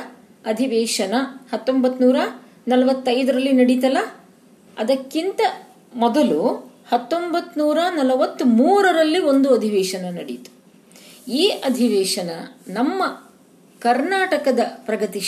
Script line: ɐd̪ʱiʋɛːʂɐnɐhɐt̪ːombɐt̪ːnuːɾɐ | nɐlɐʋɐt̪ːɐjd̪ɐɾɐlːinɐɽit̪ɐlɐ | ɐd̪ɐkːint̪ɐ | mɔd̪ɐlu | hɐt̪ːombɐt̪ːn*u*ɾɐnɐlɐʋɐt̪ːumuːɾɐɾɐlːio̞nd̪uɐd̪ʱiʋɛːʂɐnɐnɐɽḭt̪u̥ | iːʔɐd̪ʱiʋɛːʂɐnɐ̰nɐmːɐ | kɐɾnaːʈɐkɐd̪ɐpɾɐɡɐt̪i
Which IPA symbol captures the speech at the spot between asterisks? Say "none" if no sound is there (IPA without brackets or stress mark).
uː